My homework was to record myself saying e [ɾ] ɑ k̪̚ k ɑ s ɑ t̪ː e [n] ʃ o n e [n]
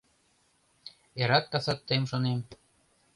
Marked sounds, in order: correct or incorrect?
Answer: correct, incorrect: m, incorrect: m

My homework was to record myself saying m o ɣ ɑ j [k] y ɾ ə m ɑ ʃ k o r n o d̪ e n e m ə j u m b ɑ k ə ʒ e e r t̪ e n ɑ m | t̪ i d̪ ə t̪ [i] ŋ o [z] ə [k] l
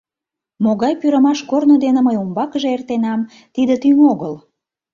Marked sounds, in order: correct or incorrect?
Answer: incorrect: p, incorrect: y, incorrect: ɣ, incorrect: none

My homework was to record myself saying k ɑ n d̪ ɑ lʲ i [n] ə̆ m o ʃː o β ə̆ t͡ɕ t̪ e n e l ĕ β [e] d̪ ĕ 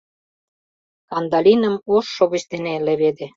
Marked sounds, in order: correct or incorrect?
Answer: correct, correct

